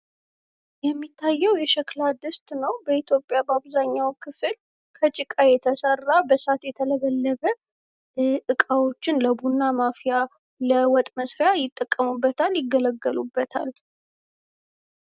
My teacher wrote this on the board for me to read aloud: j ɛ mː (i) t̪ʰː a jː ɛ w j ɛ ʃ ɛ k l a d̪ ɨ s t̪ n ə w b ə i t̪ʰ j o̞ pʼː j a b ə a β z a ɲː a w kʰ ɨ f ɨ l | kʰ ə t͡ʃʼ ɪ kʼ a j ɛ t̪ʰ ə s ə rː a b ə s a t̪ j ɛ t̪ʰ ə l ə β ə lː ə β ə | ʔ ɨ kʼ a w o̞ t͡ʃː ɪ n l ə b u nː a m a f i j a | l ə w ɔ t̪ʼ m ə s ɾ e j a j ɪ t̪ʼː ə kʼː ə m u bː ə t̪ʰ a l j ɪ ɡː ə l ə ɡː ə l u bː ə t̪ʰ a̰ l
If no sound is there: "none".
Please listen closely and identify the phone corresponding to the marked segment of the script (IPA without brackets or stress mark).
i